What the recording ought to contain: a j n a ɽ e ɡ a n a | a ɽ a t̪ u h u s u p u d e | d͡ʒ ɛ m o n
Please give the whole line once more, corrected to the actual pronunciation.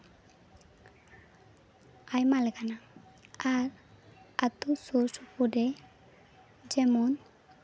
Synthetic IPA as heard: a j m a l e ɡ a n a | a ɾ a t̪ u s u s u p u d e | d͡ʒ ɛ m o n